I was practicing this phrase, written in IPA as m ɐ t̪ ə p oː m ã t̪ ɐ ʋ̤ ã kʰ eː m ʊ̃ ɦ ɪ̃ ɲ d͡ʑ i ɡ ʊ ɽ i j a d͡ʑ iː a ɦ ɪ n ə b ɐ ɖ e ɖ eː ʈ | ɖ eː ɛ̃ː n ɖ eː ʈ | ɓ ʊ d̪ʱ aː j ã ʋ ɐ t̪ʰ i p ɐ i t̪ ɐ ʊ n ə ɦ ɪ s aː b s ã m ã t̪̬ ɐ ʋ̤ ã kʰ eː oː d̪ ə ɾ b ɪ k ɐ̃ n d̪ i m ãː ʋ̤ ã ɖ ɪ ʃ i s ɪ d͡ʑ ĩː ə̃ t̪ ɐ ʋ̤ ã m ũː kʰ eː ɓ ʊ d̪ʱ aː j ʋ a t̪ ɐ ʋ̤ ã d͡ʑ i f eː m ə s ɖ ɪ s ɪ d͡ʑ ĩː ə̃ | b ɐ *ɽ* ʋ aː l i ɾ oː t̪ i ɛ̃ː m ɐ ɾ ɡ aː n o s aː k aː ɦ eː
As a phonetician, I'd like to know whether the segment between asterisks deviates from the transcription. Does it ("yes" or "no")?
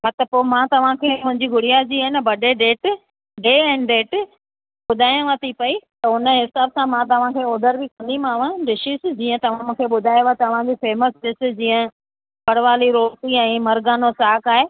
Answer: no